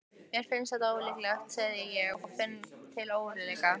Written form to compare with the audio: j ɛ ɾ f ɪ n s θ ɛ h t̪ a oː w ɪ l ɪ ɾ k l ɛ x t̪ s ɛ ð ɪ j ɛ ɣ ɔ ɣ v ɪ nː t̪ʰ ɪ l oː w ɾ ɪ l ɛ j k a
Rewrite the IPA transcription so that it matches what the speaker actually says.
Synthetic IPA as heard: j ɛ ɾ f ɪ n s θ ɛ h t̪ a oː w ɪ l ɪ k l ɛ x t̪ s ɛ ð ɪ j ɛ ɣ ɔ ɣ f ɪ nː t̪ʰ ɪ l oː w ɾ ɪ l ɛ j k a

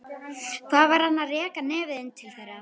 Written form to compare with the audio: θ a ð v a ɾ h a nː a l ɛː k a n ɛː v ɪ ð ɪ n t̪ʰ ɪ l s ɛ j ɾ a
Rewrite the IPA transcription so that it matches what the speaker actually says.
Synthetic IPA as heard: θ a ð v a ɾ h a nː a r ɛː k a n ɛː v ɪ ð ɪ n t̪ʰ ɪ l θ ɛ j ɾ a

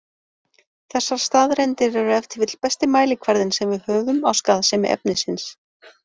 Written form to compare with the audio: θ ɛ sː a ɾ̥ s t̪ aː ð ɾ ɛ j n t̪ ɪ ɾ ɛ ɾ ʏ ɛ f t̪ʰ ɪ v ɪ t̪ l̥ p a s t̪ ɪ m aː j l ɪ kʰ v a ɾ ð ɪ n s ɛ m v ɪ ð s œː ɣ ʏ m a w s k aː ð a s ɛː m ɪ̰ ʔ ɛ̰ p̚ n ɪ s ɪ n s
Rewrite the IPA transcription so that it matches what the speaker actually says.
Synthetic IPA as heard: θ ɛ sː a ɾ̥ s t̪ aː ð ɾ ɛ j n t̪ ɪ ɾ ɛ ɾ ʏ ɛ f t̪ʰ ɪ v ɪ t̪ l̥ p ɛ s t̪ ɪ m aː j l ɪ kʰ v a ɾ ð ɪ n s ɛ m v ɪ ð h œː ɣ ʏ m a w s k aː ð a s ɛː m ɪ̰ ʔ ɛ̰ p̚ n ɪ s ɪ n s

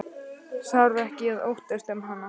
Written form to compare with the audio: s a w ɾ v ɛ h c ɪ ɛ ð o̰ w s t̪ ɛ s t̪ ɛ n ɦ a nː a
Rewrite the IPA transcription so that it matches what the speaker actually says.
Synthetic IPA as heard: s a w ɾ v ɛ h c ɪ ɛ ð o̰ w h t̪ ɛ s t̪ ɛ m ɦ a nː a

